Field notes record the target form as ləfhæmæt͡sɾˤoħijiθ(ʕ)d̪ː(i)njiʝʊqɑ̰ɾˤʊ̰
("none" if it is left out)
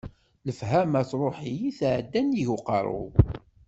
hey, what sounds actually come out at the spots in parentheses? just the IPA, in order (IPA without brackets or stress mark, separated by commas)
ʕ, æ